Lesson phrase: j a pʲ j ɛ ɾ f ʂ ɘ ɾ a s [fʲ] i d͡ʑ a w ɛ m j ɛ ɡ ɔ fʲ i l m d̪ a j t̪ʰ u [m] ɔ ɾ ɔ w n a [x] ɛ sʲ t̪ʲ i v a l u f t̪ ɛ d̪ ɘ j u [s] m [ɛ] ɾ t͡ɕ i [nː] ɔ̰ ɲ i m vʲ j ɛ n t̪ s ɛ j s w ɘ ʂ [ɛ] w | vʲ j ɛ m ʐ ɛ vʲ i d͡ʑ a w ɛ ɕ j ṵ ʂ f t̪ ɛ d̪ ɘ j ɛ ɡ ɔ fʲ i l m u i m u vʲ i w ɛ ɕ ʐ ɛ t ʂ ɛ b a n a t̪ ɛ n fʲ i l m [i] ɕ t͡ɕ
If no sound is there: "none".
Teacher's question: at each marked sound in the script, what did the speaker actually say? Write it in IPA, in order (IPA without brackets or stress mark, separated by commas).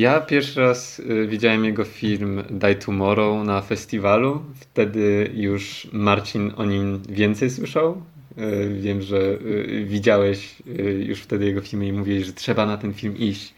vʲ, m, f, ʂ, a, n, a, i